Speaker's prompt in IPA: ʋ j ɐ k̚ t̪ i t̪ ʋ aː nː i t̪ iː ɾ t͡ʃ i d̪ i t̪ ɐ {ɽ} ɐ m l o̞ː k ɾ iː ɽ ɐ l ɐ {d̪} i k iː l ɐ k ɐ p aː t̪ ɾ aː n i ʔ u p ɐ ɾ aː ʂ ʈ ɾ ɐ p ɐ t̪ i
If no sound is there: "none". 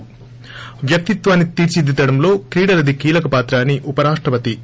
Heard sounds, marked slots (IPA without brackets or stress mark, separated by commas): ɽ, d̪